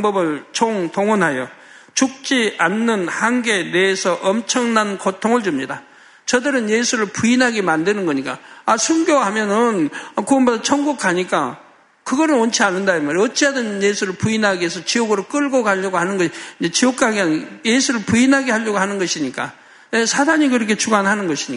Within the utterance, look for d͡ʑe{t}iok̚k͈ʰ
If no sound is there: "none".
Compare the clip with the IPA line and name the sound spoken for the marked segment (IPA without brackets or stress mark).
t͡ɕ